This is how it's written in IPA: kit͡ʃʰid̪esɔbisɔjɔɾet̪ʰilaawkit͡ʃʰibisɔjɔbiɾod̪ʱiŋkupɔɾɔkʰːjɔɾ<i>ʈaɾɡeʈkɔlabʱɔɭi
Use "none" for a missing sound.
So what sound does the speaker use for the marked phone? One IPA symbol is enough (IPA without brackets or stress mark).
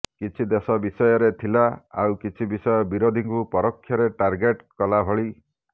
e